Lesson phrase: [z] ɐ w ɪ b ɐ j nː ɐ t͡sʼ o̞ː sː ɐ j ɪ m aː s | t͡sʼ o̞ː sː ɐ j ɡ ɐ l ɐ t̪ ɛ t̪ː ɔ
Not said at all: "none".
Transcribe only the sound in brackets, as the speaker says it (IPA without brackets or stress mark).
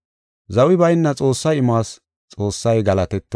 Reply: z